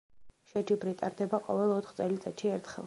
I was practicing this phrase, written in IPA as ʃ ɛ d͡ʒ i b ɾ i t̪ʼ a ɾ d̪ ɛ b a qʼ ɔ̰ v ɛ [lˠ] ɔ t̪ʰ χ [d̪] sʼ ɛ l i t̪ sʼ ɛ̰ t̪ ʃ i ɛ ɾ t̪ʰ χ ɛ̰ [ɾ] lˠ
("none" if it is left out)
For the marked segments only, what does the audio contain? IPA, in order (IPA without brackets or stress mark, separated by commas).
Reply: lˠ, t̪, none